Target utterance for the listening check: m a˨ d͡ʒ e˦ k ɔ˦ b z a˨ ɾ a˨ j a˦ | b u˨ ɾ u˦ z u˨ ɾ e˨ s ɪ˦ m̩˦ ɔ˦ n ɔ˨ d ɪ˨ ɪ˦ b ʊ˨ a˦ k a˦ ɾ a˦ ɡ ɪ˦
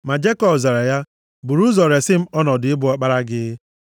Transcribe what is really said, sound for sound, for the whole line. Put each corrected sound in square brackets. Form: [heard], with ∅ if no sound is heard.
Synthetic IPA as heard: m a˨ d͡ʒ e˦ k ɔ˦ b z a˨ ɾ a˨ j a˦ | b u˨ ɾ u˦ z [ɔ˨] ɾ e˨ s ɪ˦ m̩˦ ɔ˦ n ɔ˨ d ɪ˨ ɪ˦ b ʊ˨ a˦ [k͡p] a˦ ɾ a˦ ɡ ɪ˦